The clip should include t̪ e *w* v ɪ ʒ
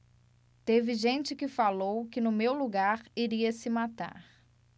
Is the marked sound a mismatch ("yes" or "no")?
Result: yes